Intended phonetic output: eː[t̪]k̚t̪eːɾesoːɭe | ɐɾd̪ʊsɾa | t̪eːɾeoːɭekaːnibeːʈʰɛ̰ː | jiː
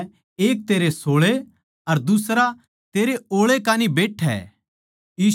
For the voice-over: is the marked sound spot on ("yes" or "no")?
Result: no